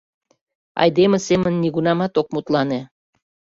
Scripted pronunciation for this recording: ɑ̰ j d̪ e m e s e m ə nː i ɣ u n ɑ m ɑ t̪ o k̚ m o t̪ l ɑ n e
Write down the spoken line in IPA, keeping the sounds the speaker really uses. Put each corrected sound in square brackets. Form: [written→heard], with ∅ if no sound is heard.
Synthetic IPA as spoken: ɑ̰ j d̪ e m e s e m ə nː i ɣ u n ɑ m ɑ t̪ o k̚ m [o→u] t̪ l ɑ n e